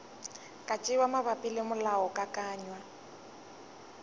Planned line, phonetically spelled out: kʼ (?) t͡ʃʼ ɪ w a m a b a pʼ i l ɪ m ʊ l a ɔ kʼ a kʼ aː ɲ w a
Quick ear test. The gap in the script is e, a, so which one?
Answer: a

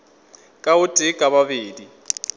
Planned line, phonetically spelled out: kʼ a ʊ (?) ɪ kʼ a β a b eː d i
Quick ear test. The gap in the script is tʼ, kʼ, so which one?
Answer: tʼ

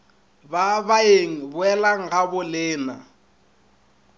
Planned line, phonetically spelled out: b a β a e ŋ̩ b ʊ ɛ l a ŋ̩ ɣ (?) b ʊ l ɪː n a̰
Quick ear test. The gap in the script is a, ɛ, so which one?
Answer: a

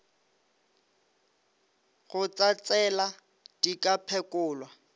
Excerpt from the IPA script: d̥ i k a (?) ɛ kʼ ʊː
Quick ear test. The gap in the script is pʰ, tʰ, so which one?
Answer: pʰ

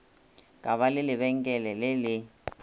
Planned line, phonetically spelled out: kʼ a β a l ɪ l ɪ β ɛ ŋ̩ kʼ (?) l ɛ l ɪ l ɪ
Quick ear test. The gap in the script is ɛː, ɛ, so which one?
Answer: ɛ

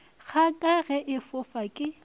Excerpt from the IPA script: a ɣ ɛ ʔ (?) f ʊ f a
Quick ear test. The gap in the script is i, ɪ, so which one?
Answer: ɪ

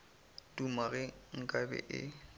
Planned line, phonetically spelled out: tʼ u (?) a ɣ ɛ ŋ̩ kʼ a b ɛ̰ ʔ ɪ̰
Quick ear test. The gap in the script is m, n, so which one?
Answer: m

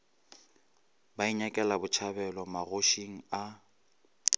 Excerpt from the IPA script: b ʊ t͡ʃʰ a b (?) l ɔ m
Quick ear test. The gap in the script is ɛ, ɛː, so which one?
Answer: ɛ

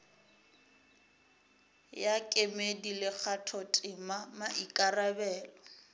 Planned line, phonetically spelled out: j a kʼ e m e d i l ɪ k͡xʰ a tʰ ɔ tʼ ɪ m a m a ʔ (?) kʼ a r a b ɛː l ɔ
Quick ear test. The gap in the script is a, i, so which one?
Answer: i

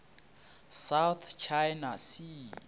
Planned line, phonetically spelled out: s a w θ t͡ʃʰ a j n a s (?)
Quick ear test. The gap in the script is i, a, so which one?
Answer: i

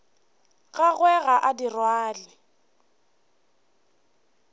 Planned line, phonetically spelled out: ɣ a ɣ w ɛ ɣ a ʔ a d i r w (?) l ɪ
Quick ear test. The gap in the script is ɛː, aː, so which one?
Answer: aː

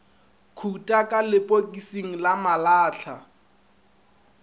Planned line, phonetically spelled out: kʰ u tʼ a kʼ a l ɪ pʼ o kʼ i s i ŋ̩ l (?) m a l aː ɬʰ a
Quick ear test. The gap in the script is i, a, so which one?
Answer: a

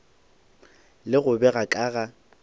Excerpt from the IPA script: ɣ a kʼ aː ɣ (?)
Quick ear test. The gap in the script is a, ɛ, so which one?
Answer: a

